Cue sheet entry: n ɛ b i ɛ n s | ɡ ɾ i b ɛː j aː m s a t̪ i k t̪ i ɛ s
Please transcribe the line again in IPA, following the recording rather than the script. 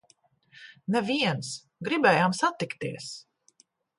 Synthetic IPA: n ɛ v i ɛ n s | ɡ ɾ i b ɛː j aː m s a t̪ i k t̪ i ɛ s